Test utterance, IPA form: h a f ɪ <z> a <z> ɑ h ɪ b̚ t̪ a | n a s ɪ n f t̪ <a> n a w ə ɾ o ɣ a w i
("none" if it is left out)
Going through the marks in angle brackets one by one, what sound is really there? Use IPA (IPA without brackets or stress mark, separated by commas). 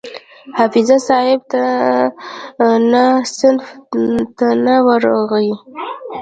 z, s, a